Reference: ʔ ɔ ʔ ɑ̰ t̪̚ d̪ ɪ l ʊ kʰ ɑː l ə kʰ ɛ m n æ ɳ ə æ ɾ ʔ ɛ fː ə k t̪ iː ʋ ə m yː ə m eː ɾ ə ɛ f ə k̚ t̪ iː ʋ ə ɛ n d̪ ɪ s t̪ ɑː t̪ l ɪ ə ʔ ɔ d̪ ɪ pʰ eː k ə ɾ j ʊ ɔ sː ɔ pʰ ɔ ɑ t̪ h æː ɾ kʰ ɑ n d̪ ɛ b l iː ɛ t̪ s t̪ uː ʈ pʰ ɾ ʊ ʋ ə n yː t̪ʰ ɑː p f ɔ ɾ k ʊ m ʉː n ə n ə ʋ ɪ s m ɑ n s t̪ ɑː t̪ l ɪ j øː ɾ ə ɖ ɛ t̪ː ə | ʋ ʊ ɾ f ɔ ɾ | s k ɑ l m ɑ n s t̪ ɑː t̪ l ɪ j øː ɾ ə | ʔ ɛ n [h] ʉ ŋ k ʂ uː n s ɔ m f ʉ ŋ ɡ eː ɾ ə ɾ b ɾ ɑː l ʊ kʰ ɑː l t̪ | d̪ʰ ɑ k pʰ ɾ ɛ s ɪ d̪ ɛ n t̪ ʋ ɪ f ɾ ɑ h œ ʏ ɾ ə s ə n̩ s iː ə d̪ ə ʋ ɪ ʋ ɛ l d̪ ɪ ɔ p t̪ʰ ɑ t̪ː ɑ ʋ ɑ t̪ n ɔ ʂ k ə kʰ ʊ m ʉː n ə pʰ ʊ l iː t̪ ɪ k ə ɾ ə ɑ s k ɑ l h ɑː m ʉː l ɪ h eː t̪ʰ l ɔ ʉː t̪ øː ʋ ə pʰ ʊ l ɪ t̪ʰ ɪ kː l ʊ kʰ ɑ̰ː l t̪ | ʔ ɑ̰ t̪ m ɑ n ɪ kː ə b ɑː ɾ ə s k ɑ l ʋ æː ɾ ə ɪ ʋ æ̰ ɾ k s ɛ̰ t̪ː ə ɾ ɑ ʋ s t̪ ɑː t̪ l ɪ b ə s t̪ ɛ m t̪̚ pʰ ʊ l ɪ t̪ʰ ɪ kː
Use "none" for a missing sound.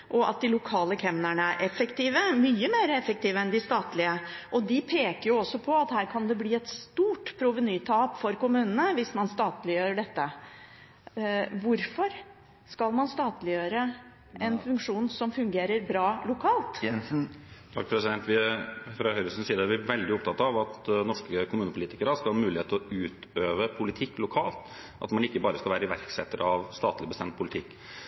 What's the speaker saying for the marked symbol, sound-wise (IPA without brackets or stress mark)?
f